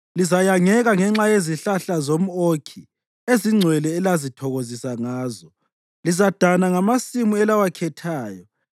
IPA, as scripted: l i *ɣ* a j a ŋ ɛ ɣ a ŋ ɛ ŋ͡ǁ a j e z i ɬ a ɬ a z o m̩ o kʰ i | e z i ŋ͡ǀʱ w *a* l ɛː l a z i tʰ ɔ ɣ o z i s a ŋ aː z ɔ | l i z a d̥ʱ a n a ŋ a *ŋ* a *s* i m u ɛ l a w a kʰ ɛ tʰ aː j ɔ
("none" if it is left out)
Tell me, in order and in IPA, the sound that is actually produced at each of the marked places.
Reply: z, ɛ, m, s

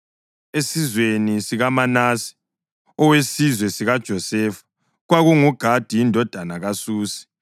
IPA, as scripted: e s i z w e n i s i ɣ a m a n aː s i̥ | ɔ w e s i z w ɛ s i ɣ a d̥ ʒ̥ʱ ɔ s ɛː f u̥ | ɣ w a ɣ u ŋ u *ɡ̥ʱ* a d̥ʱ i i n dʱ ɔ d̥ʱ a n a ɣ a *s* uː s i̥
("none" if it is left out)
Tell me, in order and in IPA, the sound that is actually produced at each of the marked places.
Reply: ɡ̥ʱ, s

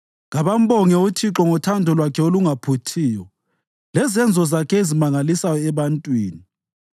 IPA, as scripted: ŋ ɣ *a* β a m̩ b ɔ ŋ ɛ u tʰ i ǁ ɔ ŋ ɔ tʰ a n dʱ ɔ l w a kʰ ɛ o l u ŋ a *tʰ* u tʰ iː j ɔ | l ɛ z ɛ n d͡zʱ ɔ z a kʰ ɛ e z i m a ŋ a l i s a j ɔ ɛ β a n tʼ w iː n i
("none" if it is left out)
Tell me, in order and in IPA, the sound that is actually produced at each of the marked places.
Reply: a, pʰ

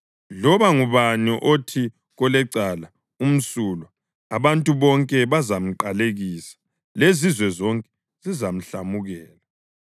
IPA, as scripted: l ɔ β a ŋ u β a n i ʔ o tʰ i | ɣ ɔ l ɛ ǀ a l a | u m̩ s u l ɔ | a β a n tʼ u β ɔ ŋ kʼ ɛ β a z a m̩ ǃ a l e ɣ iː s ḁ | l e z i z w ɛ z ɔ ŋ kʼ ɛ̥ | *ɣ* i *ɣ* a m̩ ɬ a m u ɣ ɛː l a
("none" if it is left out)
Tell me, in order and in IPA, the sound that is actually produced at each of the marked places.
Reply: z, z

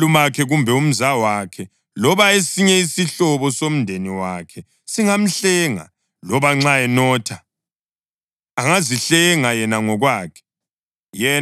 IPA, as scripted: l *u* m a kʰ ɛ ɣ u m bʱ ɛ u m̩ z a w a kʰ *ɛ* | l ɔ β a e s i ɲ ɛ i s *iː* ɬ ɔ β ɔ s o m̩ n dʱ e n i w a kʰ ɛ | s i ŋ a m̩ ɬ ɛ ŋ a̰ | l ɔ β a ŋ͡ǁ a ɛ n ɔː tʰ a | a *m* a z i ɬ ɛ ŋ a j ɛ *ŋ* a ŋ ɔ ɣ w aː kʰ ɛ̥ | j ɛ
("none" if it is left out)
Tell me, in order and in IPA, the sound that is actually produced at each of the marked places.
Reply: u, ɛ, i, ŋ, n

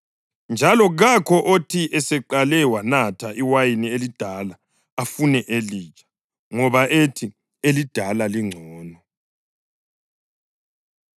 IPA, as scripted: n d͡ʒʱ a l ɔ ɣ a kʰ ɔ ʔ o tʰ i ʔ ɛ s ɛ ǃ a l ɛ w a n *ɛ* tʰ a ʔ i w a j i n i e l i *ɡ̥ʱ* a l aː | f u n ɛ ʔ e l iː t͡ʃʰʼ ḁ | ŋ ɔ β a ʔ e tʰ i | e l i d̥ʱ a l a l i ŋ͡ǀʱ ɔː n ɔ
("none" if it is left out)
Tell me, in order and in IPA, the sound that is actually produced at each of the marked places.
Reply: a, d̥ʱ

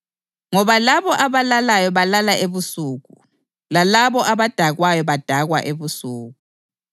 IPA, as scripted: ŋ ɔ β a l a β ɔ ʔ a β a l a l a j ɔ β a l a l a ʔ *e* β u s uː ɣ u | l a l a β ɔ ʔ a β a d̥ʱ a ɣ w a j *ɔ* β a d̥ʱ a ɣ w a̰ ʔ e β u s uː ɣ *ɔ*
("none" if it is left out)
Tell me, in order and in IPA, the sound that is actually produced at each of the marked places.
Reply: e, ɔ, u

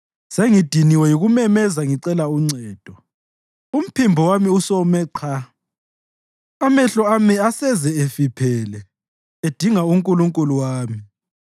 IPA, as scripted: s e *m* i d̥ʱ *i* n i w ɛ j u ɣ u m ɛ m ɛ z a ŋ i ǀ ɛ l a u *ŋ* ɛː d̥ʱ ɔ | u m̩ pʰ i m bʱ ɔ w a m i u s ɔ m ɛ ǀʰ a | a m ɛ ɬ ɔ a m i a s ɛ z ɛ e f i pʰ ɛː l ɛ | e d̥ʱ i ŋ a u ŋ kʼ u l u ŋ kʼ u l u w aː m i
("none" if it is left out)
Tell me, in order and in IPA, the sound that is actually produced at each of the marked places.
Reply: ŋ, i, ŋ͡ǀ

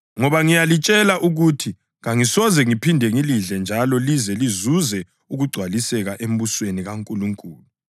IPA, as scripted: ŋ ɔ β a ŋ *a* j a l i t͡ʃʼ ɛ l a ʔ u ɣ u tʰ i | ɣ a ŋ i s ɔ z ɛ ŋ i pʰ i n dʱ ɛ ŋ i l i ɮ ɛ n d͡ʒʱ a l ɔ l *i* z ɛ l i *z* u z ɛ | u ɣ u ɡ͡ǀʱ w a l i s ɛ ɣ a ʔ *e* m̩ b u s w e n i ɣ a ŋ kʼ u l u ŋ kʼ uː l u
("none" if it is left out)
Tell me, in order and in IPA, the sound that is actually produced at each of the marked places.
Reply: i, i, z, e

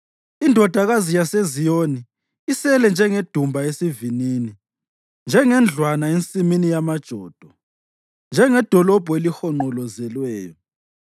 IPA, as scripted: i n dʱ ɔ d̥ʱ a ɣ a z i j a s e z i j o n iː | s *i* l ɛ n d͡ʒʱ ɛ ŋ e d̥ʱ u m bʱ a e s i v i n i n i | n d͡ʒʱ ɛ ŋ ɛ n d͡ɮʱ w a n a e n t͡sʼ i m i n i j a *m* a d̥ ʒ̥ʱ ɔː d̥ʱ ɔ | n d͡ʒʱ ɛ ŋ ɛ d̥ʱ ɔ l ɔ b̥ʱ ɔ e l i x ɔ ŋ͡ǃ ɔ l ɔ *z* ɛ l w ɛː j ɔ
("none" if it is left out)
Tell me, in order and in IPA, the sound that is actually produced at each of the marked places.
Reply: ɛ, m, z

